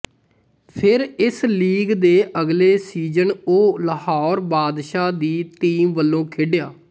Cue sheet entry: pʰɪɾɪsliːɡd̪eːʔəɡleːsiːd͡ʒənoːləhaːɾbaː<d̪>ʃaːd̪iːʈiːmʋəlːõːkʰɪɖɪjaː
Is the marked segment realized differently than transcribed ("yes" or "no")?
no